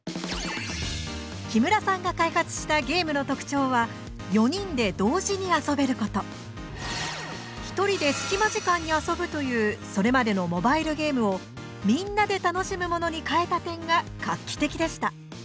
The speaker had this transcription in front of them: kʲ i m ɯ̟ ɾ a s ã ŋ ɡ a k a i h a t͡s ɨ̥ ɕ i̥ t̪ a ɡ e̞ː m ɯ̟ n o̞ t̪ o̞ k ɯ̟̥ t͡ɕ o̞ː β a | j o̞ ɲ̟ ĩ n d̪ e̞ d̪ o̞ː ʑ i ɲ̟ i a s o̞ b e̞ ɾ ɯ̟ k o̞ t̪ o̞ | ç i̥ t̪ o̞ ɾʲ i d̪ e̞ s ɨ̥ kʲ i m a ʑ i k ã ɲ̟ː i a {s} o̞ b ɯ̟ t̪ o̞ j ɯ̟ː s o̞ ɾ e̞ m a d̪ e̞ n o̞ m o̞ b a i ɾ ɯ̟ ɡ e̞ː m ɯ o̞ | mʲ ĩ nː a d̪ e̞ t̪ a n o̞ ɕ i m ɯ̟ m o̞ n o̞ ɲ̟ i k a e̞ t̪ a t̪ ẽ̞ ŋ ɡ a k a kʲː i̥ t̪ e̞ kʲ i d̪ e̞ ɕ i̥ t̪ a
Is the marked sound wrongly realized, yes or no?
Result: no